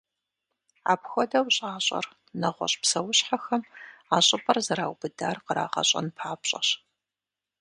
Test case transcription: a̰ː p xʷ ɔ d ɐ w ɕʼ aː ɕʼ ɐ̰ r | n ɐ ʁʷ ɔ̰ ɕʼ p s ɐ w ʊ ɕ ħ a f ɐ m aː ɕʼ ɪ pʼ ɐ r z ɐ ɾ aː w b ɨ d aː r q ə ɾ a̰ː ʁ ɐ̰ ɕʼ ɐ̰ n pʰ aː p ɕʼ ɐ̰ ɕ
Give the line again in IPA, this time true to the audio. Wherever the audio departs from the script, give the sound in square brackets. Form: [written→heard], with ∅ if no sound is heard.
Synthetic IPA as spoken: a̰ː p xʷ ɔ d ɐ w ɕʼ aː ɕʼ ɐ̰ r | n ɐ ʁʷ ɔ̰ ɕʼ p s ɐ w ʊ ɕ ħ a [f→x] ɐ m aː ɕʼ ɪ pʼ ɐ r z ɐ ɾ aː w b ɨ d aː r q ə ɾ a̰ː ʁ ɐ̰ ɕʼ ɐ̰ n pʰ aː p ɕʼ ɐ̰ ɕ